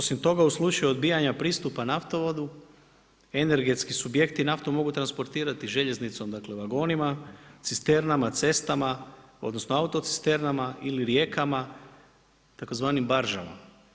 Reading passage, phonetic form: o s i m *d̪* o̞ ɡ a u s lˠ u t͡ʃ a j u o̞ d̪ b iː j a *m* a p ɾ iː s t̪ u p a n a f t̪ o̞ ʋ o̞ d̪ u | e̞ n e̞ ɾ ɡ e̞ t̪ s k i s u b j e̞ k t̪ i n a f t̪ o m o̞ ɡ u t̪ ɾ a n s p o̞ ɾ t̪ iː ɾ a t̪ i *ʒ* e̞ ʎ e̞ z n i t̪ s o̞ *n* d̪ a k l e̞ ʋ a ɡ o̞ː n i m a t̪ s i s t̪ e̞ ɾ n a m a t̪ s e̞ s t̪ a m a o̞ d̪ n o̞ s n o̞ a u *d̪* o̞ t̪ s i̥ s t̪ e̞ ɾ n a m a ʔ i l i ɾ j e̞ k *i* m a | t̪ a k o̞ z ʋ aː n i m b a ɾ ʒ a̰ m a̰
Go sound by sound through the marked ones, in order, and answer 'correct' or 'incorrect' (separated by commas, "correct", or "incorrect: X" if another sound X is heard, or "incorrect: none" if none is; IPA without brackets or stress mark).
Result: incorrect: t̪, incorrect: ɲ, correct, incorrect: m, incorrect: t̪, incorrect: a